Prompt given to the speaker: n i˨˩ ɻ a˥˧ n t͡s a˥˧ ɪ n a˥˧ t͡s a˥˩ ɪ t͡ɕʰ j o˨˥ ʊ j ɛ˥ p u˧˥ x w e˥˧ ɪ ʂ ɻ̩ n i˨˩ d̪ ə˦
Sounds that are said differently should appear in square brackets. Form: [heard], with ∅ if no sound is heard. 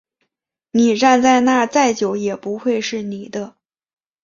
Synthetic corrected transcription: n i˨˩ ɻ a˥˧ n t͡s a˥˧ ɪ n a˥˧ t͡s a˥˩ ɪ [t͡ɕ] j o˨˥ ʊ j [ɛ˨˩] p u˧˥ x w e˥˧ ɪ ʂ ɻ̩ n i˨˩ d̪ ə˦